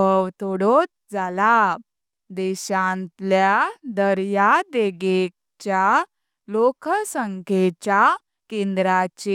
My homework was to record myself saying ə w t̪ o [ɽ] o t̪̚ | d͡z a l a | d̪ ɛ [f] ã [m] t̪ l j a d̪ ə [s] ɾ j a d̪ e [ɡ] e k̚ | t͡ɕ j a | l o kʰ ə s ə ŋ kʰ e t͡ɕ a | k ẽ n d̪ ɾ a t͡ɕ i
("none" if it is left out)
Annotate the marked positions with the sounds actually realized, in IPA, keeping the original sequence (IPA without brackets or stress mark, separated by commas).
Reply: ɽ, ɕ, n, none, ɡ